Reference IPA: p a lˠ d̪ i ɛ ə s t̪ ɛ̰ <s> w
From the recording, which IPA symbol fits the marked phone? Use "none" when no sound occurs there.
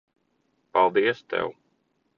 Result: none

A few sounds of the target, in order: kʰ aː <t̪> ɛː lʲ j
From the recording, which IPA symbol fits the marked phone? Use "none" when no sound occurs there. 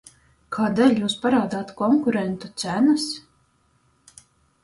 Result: d̪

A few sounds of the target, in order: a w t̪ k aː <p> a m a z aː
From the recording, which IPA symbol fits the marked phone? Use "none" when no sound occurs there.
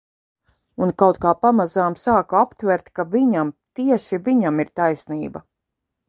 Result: p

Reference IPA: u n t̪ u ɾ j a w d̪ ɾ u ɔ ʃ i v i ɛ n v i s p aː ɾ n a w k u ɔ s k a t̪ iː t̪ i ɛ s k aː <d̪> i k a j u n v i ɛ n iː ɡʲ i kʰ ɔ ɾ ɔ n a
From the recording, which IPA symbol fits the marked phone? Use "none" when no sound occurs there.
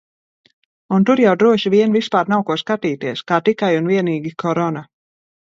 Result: t̪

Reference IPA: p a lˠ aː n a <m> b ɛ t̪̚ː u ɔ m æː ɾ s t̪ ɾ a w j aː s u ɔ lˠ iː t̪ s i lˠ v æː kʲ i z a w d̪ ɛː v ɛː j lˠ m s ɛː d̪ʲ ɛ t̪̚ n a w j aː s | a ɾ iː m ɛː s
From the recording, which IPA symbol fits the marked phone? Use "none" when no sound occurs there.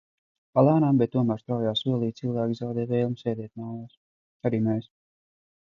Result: m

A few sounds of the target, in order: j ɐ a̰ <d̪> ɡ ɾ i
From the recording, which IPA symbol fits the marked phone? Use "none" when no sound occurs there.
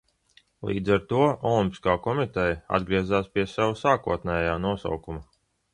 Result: d̪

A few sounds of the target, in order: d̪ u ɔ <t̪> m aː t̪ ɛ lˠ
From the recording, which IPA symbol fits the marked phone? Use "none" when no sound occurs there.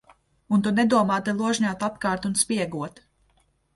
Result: none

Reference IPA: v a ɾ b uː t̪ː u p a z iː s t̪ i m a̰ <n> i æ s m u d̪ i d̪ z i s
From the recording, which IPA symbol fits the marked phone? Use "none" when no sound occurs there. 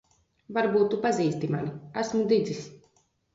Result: n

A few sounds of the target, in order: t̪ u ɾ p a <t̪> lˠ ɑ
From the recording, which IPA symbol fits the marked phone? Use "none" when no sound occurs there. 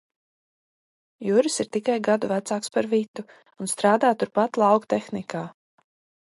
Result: t̪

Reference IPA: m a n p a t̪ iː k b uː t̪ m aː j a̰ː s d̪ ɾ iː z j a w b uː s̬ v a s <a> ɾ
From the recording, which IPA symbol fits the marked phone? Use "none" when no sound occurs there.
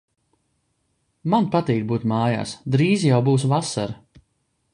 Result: a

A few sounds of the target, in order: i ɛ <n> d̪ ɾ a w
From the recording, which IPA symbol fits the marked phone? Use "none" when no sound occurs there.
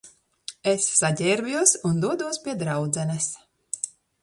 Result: none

